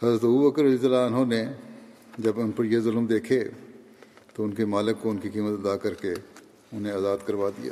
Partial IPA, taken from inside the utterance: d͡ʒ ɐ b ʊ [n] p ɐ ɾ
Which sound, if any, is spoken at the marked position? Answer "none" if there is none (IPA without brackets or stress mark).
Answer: n